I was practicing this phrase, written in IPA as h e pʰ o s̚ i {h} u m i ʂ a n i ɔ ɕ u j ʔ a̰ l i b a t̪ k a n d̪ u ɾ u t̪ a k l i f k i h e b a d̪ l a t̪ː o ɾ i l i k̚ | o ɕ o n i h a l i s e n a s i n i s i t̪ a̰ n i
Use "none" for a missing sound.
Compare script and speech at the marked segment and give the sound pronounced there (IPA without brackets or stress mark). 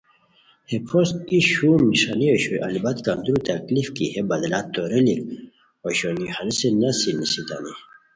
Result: ɕ